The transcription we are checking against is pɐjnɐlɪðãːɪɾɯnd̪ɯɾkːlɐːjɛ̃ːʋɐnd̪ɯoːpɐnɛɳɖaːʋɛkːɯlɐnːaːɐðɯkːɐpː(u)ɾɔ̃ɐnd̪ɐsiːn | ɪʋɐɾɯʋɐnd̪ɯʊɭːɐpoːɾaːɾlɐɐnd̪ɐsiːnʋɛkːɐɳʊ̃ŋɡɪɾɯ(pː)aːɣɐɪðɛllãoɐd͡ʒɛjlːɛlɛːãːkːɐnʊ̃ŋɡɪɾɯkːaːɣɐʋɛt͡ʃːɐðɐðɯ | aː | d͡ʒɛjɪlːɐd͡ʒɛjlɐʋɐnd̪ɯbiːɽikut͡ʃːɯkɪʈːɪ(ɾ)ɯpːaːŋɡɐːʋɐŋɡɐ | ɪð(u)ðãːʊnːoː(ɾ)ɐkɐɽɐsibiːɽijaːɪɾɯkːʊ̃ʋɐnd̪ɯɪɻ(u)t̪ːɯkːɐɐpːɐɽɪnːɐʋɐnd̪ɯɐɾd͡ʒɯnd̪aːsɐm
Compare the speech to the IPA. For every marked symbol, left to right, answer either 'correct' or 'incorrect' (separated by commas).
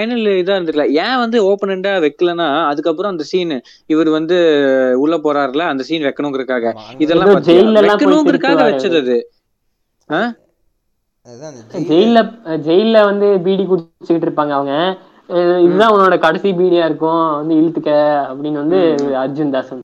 incorrect, incorrect, correct, incorrect, incorrect, incorrect